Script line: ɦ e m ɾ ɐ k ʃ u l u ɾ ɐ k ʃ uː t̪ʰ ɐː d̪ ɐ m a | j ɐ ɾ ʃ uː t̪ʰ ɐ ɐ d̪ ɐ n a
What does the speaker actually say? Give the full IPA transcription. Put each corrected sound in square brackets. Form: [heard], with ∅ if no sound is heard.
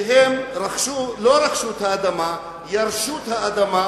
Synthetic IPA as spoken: ɦ e m ɾ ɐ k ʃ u l [o] ɾ ɐ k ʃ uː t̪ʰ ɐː d̪ ɐ m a | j ɐ ɾ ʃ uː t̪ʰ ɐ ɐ d̪ ɐ [m] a